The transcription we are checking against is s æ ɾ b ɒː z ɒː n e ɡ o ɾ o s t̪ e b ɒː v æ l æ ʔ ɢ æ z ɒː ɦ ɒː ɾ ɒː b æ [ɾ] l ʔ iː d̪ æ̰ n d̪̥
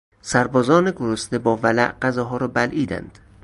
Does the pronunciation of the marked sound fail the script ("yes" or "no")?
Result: yes